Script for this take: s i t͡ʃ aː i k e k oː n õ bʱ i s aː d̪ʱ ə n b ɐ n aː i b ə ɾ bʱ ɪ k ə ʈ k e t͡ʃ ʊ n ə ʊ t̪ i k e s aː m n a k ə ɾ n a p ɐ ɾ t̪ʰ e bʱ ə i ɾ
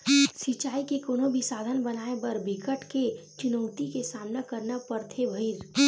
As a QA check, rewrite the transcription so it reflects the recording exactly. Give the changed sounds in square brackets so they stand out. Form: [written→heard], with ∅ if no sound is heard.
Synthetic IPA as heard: s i t͡ʃ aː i k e k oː n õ bʱ i s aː d̪ʱ ə n b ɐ n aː [i→e] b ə ɾ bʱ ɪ k ə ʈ k e t͡ʃ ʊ n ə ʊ t̪ i k e s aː m n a k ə ɾ n a p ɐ ɾ t̪ʰ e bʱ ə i ɾ